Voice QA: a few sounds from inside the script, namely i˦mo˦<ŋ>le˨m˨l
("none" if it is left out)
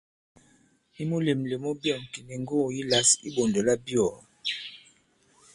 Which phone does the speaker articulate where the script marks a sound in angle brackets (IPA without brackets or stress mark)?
none